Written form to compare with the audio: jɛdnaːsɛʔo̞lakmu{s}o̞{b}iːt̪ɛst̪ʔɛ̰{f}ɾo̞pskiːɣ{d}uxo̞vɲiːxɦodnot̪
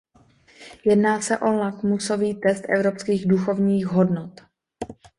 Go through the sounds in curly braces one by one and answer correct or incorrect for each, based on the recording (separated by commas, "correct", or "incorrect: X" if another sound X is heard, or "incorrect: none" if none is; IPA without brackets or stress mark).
correct, incorrect: v, incorrect: v, correct